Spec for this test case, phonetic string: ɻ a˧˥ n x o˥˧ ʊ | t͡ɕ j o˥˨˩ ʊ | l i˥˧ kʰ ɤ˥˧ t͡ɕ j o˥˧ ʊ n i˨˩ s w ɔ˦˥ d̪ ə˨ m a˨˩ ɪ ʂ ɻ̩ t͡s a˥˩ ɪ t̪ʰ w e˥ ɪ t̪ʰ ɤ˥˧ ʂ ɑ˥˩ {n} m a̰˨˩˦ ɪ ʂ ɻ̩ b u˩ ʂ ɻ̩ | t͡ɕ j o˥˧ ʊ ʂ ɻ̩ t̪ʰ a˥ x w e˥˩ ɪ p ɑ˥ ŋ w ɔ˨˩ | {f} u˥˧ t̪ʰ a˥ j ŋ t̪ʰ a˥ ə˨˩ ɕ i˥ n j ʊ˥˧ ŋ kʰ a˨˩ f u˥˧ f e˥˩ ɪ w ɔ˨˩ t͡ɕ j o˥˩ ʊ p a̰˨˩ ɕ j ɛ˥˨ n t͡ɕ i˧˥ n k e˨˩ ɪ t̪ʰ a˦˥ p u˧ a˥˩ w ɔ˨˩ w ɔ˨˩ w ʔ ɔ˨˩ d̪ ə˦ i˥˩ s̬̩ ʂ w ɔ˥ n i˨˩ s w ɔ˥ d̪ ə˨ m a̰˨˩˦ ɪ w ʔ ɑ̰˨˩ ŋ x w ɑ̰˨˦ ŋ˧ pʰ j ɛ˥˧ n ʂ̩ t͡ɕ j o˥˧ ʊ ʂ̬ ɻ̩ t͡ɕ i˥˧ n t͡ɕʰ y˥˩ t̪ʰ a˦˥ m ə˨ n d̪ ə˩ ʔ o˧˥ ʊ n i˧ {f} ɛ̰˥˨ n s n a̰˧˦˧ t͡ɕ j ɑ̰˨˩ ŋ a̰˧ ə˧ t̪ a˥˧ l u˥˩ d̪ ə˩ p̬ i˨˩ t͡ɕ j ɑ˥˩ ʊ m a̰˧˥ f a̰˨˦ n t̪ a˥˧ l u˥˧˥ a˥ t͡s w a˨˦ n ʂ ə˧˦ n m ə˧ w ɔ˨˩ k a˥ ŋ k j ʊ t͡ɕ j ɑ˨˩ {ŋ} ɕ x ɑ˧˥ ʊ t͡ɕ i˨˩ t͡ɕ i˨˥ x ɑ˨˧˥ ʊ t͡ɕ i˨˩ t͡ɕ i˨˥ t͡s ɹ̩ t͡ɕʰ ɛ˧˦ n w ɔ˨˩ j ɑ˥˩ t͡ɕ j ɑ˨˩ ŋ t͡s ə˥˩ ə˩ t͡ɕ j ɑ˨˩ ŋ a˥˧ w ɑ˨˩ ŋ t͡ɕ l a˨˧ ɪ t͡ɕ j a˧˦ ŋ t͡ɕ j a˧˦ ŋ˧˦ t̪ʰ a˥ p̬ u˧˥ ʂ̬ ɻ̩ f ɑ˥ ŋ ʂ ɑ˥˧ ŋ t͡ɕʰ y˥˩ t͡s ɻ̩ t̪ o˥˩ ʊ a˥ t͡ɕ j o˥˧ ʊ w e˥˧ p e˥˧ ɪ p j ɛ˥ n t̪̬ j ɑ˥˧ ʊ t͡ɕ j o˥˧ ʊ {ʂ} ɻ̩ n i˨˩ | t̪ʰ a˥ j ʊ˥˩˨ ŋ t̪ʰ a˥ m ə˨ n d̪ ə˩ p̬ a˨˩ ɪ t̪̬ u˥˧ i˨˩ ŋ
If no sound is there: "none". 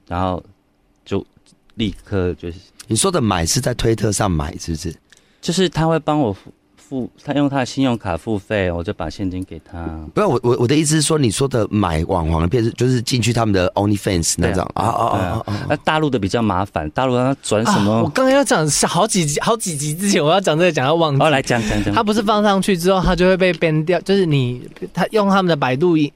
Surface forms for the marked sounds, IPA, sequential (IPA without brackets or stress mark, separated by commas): ŋ, f, f, ŋ, ʂ